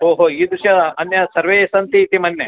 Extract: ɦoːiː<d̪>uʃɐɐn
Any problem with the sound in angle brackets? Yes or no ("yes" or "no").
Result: no